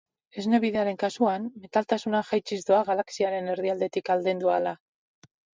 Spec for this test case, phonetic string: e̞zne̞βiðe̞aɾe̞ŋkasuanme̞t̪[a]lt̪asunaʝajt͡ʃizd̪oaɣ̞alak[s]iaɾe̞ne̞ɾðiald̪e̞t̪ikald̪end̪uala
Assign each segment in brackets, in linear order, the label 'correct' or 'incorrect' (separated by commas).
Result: correct, correct